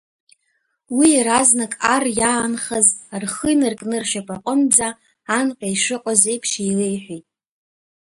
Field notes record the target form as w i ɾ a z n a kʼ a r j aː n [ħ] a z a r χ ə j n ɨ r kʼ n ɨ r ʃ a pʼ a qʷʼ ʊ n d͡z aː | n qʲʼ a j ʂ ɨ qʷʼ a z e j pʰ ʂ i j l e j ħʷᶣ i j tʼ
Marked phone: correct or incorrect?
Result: incorrect